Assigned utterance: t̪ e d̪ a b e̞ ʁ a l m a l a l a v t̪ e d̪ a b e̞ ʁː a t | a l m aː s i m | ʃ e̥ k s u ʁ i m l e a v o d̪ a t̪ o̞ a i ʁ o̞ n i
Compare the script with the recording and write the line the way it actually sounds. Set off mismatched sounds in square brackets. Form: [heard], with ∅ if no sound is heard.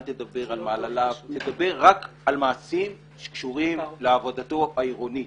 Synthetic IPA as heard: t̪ e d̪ a b e̞ ʁ a l m a l a l a v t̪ e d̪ a b e̞ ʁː a [k] | a l m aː s i m | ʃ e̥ k [ʃ] u ʁ i m l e a v o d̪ a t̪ o̞ a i ʁ o̞ n i